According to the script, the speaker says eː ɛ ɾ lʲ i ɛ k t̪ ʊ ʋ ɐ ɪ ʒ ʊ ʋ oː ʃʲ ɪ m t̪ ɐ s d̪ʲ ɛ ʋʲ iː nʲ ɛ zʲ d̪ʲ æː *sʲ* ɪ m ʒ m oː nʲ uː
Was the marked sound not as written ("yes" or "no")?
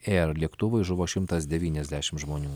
yes